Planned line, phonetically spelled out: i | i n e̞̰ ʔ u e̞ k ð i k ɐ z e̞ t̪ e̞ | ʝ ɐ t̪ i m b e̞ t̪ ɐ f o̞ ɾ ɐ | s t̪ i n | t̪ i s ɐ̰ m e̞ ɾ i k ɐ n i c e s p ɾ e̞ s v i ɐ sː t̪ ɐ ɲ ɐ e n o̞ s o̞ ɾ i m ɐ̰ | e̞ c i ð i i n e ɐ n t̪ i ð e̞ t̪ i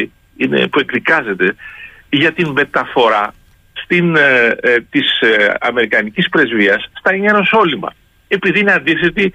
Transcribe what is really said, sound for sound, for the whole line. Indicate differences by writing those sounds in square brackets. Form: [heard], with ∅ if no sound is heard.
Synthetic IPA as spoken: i | i n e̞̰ [p] u e̞ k ð i k ɐ z e̞ t̪ e̞ | ʝ ɐ t̪ i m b e̞ t̪ ɐ f o̞ ɾ ɐ | s t̪ i n | t̪ i s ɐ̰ m e̞ ɾ i k ɐ n i c [i] s p ɾ e̞ [z] v i ɐ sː t̪ ɐ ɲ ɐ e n o̞ s o̞ [l] i m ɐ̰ | e̞ [p] i ð i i n e ɐ n [d̪] i [θ] e̞ t̪ i